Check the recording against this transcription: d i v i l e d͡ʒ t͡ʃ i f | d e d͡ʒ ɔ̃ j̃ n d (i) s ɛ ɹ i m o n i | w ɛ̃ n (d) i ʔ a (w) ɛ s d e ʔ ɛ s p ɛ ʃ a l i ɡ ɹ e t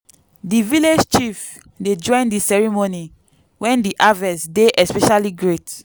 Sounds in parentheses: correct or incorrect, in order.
correct, correct, incorrect

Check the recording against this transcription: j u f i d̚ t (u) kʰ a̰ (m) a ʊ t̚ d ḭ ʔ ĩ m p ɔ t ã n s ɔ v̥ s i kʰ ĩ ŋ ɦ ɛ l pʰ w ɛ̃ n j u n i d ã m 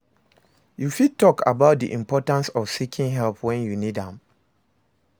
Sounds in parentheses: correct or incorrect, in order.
incorrect, incorrect

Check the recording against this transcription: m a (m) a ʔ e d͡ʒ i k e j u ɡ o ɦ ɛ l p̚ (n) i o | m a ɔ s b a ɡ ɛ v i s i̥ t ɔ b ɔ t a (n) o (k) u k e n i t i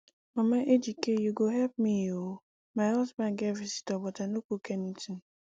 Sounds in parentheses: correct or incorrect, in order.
correct, incorrect, correct, correct

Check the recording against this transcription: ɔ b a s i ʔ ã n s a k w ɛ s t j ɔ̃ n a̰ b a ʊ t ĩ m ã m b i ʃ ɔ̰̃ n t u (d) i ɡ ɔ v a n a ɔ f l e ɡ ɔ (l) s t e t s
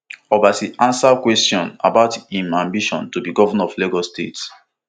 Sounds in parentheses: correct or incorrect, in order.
incorrect, incorrect

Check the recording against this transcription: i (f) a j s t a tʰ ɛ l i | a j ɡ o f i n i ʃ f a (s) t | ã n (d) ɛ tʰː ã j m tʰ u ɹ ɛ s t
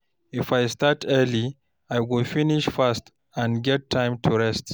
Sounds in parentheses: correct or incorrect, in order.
correct, correct, incorrect

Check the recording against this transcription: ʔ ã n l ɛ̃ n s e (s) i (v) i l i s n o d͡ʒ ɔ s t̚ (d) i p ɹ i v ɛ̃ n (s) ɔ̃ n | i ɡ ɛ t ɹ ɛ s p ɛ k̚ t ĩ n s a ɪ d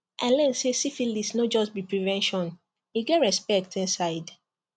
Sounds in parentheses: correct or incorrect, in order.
correct, incorrect, incorrect, incorrect

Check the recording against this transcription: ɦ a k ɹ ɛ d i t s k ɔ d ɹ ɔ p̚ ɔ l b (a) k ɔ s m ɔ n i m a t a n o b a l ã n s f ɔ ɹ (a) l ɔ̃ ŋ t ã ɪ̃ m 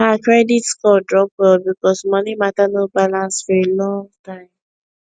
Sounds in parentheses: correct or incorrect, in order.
incorrect, incorrect

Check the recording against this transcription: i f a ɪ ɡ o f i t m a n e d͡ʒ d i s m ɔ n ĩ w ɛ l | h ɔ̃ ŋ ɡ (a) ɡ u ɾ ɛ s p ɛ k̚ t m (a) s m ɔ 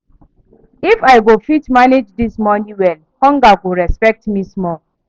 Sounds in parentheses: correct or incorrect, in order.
correct, incorrect

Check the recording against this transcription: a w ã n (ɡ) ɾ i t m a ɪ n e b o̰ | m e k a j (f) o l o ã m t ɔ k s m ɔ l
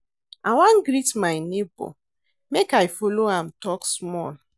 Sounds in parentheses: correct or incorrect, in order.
correct, correct

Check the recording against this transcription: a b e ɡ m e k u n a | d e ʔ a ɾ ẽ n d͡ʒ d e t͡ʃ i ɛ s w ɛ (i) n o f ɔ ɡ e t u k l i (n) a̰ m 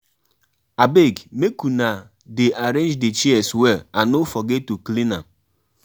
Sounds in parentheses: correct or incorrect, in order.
incorrect, correct

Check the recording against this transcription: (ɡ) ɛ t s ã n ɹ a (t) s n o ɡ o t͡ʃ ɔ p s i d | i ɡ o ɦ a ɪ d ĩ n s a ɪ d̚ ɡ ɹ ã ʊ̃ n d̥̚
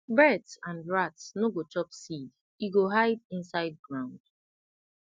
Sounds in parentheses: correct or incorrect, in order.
incorrect, correct

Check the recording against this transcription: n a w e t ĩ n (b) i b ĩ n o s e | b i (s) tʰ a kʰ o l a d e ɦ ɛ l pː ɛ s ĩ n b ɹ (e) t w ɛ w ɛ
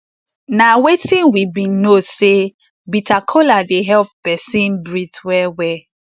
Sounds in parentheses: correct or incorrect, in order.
incorrect, incorrect, incorrect

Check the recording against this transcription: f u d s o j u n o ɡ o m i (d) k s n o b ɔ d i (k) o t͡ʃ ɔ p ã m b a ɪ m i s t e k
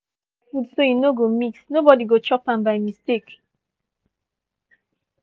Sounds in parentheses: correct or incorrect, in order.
incorrect, incorrect

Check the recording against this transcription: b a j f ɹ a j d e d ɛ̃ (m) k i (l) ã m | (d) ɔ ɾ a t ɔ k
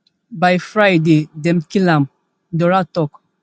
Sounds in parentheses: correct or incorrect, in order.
correct, correct, correct

